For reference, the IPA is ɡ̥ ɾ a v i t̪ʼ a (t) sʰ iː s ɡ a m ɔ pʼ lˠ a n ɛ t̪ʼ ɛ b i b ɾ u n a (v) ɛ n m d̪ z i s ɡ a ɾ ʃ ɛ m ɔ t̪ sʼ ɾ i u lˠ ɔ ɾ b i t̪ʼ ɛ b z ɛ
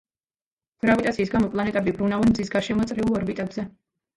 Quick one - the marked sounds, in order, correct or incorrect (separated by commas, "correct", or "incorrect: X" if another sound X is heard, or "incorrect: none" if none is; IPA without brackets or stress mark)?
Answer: correct, correct